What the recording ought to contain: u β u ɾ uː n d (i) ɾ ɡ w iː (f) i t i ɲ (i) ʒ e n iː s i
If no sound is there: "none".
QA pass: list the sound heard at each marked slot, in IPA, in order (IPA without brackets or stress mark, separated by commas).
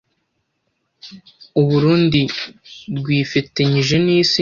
i, f, i